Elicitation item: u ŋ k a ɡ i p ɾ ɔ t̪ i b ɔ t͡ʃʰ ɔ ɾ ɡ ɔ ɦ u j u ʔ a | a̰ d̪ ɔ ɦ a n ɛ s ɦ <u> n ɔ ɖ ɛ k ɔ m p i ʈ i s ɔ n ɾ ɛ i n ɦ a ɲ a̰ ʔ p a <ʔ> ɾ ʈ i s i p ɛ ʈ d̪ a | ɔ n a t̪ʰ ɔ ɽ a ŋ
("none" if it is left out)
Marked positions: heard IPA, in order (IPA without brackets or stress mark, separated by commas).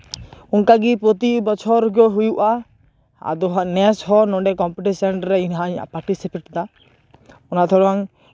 ɔ, none